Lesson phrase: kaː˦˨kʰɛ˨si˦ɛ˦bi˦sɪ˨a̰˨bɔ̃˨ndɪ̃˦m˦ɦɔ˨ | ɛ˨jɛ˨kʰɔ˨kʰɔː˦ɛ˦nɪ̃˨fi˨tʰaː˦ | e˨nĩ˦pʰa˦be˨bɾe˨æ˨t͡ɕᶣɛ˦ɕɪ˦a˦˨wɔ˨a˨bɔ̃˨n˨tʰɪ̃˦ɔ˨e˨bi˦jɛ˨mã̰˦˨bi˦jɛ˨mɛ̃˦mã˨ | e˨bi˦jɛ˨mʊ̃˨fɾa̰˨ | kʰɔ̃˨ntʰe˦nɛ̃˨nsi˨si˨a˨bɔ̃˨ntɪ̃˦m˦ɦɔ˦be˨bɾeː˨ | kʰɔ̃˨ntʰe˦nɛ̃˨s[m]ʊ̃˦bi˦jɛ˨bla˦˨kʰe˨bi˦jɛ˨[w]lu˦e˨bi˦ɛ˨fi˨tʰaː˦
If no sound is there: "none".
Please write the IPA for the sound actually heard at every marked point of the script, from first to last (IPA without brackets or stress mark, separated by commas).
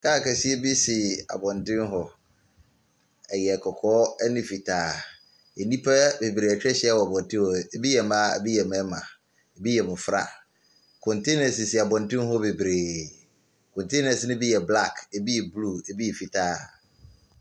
n, b